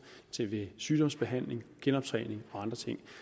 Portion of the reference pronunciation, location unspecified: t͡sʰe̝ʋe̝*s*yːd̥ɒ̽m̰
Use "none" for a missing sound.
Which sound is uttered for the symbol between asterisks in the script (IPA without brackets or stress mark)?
s